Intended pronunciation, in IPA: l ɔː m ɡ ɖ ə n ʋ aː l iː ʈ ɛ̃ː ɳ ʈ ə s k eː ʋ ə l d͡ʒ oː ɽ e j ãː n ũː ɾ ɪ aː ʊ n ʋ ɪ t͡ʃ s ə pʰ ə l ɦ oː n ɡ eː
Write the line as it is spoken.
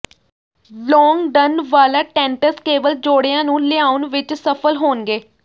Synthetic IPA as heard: l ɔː ŋ ɡ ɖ ə n ʋ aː l aː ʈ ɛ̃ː ɳ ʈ ə s k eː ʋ ə l d͡ʒ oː ɽ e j ãː n ũː l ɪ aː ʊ n ʋ ɪ t͡ʃ s ə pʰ ə l ɦ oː n ɡ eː